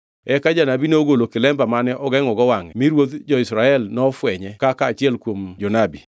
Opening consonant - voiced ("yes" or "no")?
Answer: no